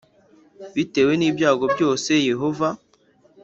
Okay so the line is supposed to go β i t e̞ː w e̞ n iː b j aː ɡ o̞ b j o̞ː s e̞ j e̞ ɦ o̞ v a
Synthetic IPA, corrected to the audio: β i t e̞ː w e̞ n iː b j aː ɡ o̞ b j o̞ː s e̞ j e̞ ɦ o̞ v a